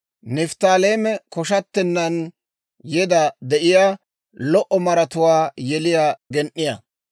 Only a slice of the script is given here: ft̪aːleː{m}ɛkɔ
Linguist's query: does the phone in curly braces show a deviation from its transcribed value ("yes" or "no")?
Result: no